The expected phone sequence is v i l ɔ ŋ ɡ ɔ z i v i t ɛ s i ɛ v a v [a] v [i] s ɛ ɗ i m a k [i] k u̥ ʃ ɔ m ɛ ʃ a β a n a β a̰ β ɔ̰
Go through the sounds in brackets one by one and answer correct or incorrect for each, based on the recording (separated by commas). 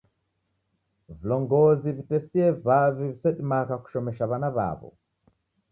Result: incorrect, correct, incorrect